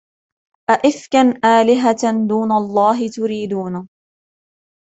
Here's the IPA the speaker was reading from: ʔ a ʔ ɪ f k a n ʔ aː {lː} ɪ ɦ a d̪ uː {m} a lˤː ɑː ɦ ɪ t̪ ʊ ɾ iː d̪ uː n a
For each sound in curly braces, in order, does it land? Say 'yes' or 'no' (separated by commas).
no, no